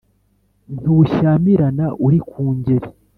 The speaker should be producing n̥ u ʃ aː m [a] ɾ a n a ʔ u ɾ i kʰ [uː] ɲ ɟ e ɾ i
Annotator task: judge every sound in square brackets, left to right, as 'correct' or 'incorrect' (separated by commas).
incorrect, correct